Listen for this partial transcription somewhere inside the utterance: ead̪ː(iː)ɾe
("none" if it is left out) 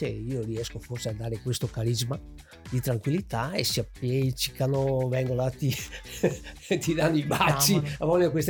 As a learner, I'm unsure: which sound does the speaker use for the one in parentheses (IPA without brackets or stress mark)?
aː